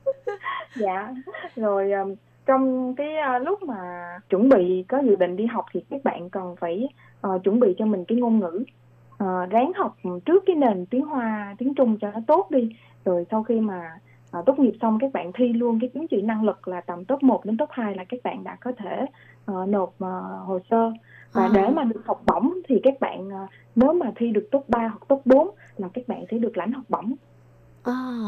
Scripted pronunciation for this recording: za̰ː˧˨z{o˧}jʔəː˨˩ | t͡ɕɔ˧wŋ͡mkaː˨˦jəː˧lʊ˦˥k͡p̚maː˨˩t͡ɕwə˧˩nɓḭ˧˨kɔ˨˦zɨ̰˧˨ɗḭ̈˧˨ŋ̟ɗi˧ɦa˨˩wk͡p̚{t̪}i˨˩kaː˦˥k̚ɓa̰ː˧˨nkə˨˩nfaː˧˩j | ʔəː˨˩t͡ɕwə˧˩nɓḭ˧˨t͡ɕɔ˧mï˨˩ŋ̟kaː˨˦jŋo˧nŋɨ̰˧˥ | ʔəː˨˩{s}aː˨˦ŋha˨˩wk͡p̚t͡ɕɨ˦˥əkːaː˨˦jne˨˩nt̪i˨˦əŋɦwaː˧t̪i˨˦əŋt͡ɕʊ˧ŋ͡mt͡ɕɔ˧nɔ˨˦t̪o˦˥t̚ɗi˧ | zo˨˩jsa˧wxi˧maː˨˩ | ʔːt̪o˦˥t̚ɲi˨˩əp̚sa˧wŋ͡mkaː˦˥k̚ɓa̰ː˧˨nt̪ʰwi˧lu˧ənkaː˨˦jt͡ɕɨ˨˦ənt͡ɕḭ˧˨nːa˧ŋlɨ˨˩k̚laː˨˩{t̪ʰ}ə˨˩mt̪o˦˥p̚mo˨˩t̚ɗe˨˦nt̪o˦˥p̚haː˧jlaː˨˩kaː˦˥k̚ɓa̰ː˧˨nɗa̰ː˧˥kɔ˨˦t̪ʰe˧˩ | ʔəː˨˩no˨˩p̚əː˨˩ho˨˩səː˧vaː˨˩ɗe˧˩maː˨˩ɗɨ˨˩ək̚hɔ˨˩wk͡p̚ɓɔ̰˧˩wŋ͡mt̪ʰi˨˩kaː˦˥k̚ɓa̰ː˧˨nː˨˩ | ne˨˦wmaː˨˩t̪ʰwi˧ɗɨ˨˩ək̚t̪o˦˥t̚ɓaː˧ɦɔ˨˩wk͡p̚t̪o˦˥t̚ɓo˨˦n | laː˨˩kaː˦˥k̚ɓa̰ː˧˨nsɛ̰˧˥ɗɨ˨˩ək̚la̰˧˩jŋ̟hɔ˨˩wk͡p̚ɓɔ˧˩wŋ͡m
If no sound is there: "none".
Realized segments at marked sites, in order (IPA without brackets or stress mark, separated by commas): o˨˩, t̪ʰ, z, t̪